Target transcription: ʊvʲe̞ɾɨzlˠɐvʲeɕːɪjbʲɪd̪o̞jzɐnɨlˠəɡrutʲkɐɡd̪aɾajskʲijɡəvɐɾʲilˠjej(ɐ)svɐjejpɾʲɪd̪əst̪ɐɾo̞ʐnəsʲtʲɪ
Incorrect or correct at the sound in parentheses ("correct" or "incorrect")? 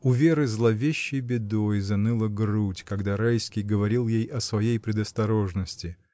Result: correct